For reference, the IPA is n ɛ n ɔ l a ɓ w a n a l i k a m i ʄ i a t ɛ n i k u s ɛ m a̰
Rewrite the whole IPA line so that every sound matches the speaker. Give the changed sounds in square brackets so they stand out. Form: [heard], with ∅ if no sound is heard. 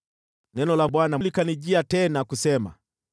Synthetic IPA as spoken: n ɛ n ɔ l a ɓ w a n a l i k a [n] i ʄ i a t ɛ n [a] k u s ɛ m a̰